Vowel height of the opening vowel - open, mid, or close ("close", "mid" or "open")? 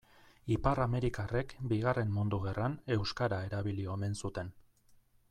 close